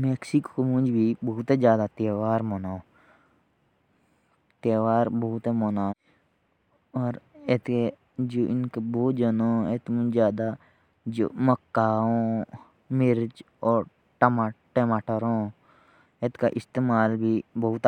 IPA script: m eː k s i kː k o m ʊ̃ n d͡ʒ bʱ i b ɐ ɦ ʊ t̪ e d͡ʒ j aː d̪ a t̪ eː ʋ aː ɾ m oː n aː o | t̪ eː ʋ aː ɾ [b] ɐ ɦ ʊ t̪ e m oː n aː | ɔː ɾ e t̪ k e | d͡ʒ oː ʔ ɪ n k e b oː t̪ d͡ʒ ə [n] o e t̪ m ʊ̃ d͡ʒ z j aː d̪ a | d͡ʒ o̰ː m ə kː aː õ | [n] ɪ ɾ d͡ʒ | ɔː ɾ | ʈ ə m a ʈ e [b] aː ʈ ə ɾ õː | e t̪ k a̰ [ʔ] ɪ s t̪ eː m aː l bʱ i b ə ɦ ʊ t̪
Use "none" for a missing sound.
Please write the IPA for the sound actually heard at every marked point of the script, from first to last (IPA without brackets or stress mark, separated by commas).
b, n, m, m, ʔ